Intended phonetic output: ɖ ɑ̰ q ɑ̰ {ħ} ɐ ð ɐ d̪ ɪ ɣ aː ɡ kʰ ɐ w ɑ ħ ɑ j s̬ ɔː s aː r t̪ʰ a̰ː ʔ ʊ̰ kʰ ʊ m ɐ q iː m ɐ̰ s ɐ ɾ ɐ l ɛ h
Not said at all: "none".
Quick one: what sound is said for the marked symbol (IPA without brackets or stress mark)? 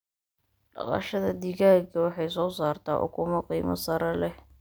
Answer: ʃ